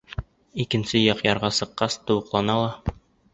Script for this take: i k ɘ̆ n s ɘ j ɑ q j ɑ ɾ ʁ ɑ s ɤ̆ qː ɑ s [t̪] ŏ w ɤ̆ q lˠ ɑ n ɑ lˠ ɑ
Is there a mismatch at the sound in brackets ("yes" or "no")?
no